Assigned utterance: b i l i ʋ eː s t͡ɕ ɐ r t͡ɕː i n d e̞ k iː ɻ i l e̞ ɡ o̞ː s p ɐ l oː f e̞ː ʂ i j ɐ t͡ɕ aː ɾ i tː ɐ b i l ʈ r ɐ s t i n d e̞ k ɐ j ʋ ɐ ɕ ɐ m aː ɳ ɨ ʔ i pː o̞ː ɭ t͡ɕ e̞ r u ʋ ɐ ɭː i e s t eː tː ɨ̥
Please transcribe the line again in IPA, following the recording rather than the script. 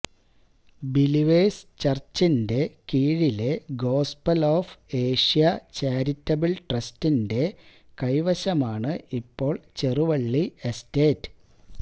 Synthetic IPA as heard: b i l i ʋ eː s t͡ɕ ɐ r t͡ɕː i n d e̞ k iː ɻ i l e̞ ɡ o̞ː s p ɐ l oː f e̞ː ʂ i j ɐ t͡ɕ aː ɾ i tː ɐ b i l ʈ r ɐ s t i n d e̞ k ɐ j ʋ ɐ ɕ ɐ m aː ɳ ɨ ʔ i pː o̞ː ɭ t͡ɕ e̞ r u ʋ ɐ ɭː i e s t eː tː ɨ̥